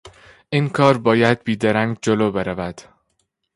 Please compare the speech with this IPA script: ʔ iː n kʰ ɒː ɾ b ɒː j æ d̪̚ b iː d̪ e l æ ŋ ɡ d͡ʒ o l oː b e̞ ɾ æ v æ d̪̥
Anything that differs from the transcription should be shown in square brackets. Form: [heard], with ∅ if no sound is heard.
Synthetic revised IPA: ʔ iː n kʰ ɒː ɾ b ɒː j æ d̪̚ b iː d̪ e [ɾ] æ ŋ ɡ d͡ʒ o l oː b e̞ ɾ æ v æ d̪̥